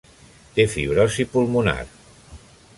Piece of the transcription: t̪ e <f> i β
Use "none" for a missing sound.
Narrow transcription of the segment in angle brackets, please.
f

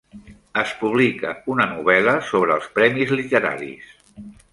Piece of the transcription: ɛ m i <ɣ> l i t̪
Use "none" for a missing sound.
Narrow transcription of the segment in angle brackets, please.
z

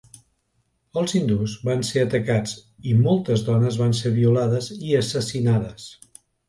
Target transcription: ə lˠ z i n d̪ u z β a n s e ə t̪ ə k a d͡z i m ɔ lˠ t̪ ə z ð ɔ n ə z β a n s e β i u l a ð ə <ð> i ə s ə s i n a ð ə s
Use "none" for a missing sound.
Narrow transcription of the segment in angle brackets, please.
z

